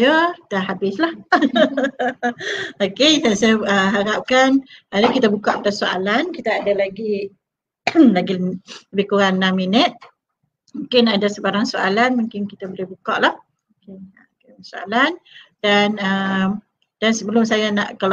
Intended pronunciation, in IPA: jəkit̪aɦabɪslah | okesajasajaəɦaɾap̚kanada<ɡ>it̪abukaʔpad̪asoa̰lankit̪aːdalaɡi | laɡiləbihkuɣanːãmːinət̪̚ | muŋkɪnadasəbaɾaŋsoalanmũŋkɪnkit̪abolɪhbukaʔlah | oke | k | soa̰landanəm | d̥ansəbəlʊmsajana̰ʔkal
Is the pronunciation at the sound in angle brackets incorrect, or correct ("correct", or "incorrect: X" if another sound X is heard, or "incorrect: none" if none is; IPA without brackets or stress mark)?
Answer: incorrect: k